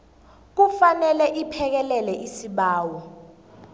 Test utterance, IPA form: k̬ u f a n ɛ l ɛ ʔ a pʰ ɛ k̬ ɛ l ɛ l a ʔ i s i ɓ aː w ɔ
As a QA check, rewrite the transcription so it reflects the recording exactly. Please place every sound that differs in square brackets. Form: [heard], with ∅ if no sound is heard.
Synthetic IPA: k̬ u f a n ɛ l ɛ ʔ [i] pʰ ɛ k̬ ɛ l ɛ l [ɛ] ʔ i s i ɓ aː w ɔ